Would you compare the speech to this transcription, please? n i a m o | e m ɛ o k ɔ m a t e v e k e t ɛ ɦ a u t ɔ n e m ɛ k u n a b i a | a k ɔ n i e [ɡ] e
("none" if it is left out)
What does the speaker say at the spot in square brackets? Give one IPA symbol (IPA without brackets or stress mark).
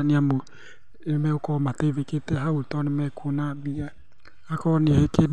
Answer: k